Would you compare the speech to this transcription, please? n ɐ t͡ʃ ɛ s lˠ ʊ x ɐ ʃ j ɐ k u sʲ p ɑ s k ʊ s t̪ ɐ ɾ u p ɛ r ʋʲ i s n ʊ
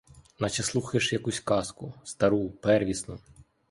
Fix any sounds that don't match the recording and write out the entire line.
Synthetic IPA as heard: n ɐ t͡ʃ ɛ s lˠ u x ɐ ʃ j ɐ k u sʲ k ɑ s k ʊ s t̪ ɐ ɾ u p ɛ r ʋʲ i s n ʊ